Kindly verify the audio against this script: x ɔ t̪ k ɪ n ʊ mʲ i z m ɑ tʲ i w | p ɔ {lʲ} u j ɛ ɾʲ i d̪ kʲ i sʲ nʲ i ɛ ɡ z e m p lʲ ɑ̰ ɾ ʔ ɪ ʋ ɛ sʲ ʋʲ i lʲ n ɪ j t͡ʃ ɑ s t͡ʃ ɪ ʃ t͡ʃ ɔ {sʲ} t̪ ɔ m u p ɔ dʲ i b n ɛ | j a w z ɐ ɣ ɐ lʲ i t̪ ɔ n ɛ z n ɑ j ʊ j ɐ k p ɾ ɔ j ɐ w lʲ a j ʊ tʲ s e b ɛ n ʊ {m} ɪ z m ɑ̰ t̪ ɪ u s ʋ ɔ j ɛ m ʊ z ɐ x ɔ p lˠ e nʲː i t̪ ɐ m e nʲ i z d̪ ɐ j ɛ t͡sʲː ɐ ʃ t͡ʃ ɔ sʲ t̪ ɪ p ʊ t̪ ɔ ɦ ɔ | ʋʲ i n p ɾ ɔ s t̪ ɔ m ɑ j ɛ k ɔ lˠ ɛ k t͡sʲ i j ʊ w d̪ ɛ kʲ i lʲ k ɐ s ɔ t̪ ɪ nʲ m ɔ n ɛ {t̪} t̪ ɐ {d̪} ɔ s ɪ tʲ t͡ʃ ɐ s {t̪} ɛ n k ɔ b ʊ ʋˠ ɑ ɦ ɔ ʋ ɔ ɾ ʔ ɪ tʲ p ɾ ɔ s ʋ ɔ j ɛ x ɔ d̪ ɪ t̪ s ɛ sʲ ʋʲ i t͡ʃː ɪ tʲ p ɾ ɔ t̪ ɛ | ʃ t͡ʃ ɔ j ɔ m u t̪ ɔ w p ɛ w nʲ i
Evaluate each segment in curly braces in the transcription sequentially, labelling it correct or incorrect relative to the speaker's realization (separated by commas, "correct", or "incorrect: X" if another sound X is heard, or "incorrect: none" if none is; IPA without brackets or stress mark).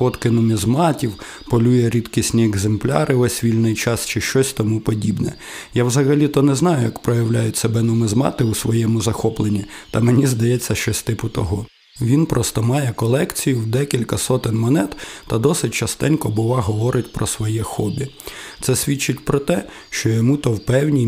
correct, correct, correct, correct, correct, correct